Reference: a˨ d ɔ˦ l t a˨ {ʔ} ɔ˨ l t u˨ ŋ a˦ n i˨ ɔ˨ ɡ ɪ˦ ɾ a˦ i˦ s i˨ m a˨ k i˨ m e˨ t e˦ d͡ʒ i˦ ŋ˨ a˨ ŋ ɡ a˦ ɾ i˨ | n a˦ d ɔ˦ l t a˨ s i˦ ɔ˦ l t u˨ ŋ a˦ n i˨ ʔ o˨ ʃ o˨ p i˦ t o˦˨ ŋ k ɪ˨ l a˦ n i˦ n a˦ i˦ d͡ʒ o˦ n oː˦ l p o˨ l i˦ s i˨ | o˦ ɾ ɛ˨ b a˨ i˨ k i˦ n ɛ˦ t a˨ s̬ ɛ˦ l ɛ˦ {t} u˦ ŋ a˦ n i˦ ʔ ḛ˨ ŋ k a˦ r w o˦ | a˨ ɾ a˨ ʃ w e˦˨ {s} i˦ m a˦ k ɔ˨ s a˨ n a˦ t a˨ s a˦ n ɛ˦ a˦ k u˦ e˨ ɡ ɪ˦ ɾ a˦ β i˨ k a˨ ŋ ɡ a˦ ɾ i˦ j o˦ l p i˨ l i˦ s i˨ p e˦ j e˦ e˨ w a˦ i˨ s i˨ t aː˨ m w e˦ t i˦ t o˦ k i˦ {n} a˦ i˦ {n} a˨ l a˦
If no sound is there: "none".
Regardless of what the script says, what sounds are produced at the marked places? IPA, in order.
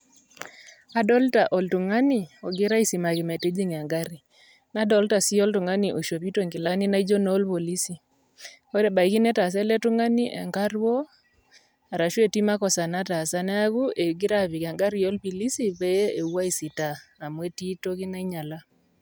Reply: ʔ, t, t, n, ɲ

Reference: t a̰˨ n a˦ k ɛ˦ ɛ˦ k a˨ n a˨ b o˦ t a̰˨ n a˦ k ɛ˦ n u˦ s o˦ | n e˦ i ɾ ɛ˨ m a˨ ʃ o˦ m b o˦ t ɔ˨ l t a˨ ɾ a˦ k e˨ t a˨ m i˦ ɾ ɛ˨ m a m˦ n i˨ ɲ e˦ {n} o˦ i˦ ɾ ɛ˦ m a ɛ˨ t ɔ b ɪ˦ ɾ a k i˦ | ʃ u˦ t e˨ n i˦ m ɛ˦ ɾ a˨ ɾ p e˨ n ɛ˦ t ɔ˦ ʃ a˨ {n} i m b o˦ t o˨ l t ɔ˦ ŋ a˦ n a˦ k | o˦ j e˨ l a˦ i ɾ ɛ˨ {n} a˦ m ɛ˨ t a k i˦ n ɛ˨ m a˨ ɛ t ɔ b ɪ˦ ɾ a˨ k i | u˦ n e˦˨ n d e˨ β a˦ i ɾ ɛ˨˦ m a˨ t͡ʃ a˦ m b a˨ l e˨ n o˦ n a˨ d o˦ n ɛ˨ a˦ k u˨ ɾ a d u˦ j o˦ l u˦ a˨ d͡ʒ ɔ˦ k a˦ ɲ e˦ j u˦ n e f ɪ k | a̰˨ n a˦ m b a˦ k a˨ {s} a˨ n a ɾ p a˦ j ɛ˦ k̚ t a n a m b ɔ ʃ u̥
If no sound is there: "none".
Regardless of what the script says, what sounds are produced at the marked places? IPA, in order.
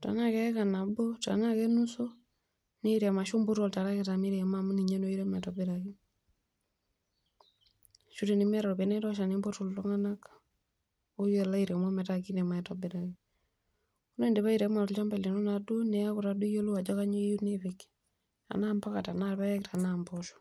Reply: n, n, m, t

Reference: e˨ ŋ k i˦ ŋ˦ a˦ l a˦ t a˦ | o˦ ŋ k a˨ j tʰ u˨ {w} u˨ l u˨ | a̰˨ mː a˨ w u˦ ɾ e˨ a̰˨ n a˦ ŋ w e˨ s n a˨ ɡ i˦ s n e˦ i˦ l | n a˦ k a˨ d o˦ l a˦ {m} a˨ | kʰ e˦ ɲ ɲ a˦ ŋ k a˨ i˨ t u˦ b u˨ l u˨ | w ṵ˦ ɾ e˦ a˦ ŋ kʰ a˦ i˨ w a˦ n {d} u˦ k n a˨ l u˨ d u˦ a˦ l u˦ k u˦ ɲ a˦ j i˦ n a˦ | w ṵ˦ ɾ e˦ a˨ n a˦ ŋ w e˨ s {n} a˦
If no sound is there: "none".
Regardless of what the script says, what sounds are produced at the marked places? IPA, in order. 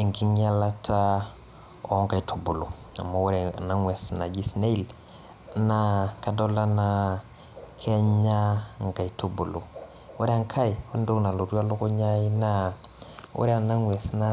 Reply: b, n, d, n

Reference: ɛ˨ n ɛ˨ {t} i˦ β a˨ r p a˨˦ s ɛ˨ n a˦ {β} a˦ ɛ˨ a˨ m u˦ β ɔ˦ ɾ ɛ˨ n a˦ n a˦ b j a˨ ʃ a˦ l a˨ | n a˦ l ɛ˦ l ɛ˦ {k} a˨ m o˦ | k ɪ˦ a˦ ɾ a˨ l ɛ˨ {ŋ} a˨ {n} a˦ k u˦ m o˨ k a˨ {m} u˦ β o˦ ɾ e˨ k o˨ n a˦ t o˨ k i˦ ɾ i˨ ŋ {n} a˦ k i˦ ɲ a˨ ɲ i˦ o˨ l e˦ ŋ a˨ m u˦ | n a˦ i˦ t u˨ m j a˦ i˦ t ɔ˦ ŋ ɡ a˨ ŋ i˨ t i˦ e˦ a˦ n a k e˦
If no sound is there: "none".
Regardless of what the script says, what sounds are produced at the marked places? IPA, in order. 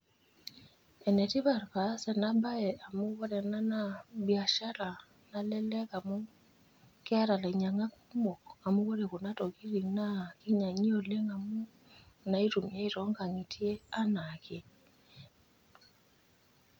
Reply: t, b, k, ɲ, ŋ, m, n

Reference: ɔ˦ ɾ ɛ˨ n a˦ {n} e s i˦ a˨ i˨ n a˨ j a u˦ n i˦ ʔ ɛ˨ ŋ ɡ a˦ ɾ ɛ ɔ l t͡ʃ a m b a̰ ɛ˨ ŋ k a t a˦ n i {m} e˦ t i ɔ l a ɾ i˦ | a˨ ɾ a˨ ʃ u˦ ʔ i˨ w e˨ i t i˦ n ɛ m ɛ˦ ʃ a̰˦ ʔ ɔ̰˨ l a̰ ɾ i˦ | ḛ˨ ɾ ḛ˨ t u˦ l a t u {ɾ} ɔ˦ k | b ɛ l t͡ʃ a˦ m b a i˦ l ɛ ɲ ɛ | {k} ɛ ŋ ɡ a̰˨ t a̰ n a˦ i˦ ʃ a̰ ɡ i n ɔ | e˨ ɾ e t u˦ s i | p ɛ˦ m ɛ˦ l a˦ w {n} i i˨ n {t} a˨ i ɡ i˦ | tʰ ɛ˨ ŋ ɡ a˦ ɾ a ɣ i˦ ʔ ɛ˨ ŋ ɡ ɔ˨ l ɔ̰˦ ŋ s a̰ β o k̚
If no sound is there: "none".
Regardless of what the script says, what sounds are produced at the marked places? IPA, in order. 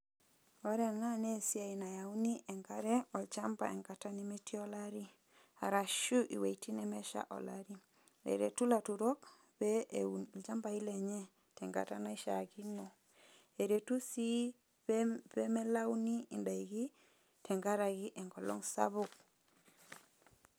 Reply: n, m, ɾ, t, n, d

